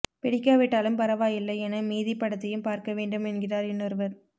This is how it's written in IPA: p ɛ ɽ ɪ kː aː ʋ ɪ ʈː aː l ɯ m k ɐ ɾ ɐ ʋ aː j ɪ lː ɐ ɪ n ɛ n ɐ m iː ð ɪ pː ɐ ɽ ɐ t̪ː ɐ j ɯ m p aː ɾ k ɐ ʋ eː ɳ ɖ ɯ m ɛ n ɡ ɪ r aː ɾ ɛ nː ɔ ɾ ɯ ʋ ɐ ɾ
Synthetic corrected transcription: p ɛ ɽ ɪ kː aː ʋ ɪ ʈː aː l ɯ m p ɐ ɾ ɐ ʋ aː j ɪ lː ɐ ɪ ɛ n ɐ m iː ð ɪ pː ɐ ɽ ɐ t̪ː ɐ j ɯ m p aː ɾ k ɐ ʋ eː ɳ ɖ ɯ m ɛ n ɡ ɪ r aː ɾ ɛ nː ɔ ɾ ɯ ʋ ɐ ɾ